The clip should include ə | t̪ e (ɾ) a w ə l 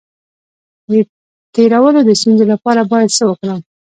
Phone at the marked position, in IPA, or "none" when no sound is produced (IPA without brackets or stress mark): ɾ